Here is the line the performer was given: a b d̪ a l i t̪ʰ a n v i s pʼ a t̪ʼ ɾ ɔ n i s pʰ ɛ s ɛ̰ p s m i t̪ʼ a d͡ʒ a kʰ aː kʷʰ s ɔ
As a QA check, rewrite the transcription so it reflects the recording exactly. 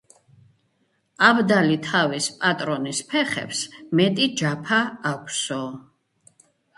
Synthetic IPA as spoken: a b d̪ a l i t̪ʰ a v i s pʼ a t̪ʼ ɾ ɔ n i s pʰ ɛ χ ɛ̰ p s m ɛ t̪ʼ i d͡ʒ a pʰ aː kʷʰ s ɔ